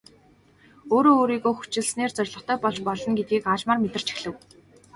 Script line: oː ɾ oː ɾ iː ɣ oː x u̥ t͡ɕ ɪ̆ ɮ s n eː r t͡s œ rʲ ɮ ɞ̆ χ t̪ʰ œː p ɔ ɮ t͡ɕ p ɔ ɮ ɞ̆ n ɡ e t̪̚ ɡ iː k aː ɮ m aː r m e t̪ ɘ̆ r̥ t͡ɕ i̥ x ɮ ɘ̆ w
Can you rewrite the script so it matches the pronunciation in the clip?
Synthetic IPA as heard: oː ɾ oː ɾ iː ɣ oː x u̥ t͡ɕ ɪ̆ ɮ s n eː r t͡s œ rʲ ɮ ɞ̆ χ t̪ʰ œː p ɔ ɮ t͡ɕ p ɔ ɮ ɞ̆ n ɡ e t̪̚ ɡ iː k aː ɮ m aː r m e t̪ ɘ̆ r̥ t͡ɕ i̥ x ɮ ɘ̆ w